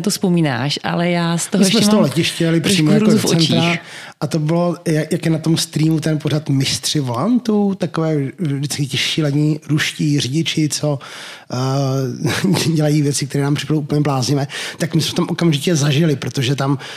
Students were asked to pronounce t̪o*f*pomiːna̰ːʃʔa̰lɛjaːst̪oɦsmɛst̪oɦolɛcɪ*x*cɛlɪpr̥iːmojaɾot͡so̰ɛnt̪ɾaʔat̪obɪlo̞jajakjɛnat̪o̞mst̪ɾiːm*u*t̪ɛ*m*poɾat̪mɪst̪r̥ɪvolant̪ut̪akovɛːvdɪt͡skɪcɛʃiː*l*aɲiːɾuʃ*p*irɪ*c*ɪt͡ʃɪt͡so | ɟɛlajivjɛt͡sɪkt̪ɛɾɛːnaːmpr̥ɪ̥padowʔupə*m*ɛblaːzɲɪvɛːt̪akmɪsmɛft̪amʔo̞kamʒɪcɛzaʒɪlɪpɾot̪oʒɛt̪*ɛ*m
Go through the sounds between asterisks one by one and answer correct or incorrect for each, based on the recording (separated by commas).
incorrect, incorrect, correct, incorrect, correct, incorrect, incorrect, incorrect, incorrect